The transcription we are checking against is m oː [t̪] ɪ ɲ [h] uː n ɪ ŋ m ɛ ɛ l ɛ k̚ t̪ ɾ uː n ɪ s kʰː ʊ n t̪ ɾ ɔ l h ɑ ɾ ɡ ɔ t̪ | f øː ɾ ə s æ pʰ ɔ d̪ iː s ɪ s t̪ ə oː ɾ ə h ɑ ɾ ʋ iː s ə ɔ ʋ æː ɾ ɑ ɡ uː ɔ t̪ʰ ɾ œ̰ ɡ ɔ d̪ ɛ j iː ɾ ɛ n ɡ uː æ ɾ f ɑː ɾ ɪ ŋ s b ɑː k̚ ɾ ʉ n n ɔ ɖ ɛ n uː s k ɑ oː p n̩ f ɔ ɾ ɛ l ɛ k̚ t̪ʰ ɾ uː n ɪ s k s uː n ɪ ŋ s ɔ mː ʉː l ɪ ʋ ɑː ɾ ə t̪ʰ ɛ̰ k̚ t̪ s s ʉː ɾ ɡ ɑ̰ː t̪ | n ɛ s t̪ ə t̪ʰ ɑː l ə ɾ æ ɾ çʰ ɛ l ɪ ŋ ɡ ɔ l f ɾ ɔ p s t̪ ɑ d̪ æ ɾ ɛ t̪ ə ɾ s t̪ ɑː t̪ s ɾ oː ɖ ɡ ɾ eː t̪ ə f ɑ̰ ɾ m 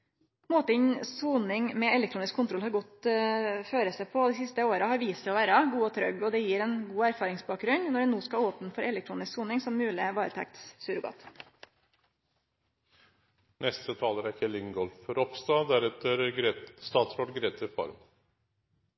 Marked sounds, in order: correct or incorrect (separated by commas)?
correct, incorrect